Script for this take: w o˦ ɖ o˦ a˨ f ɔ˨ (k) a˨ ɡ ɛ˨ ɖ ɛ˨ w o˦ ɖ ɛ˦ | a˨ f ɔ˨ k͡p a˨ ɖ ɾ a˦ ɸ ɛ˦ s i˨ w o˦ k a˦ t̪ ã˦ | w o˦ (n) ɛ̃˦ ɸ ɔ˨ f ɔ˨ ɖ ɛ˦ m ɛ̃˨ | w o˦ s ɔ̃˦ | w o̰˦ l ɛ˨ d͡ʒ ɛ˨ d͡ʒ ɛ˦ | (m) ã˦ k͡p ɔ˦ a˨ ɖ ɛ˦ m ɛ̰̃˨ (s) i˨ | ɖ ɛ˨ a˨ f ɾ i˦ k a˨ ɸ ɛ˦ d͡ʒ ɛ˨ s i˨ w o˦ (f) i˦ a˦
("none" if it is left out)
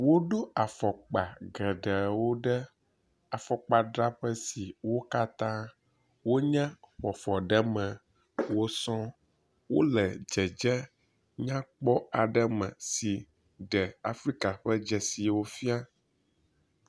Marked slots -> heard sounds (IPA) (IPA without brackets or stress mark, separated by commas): k͡p, ɲ, ɲ, s, f